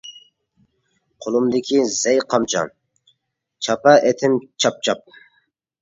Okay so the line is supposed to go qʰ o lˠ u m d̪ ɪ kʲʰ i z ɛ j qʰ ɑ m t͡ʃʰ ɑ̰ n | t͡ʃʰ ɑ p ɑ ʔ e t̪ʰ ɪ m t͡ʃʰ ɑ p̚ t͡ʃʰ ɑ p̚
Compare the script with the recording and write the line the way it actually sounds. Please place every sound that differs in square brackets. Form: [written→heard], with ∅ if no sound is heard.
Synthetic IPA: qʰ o lˠ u m d̪ ɪ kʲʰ i z ɛ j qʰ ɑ m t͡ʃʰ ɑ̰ n | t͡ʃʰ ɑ p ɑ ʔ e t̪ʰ ɪ m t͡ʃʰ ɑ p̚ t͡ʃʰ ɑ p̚